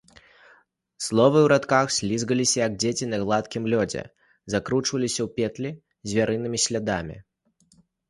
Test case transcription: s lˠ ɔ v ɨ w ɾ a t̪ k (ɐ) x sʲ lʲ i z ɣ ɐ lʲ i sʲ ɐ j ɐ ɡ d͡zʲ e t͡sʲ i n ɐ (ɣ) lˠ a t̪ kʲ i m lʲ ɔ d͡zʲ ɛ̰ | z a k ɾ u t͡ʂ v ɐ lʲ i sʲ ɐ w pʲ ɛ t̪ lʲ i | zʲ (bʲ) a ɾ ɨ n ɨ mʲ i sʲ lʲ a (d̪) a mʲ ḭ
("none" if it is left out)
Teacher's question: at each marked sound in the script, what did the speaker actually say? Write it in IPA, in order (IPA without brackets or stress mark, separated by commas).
a, ɣ, vʲ, d̪